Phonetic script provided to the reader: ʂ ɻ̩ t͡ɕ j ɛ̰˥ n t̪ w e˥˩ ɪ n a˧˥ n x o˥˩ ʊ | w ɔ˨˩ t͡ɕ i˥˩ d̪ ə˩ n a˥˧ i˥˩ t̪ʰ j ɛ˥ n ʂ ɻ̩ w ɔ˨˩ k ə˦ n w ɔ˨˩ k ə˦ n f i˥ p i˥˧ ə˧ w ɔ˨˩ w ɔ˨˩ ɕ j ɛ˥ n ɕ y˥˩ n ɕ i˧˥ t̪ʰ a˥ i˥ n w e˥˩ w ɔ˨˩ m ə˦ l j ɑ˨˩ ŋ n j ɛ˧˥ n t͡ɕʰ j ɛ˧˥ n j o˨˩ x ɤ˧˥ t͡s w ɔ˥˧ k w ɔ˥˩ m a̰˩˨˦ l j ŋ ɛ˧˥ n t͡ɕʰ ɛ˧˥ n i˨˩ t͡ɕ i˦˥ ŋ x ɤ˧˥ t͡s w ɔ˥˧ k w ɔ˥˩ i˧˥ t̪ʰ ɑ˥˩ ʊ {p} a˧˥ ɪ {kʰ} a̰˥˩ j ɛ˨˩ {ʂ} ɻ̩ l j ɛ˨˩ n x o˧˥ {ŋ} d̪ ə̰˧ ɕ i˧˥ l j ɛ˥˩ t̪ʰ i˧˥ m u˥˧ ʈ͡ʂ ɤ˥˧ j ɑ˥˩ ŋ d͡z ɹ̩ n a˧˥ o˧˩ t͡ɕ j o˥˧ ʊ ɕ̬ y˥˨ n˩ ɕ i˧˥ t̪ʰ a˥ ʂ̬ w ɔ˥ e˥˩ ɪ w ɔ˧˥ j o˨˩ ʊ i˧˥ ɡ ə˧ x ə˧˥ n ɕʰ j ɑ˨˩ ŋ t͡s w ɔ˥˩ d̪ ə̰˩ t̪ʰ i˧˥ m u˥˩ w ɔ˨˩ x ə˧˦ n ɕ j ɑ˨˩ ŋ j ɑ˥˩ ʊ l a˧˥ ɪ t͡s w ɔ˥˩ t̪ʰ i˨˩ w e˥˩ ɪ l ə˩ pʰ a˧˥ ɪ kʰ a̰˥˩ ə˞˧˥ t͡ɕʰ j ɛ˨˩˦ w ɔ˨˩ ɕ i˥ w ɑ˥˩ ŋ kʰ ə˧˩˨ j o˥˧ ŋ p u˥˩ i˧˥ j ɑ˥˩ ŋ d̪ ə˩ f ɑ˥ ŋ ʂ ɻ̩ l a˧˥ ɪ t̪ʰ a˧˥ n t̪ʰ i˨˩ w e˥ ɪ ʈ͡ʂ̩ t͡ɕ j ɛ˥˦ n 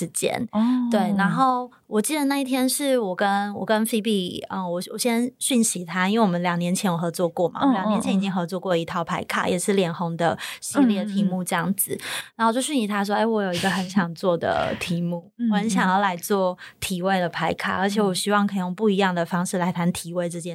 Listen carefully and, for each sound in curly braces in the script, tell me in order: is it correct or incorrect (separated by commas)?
incorrect, correct, correct, correct